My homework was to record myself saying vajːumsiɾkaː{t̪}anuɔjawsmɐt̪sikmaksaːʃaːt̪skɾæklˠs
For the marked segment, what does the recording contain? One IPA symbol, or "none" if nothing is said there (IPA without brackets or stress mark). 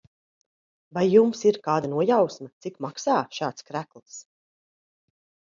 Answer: d̪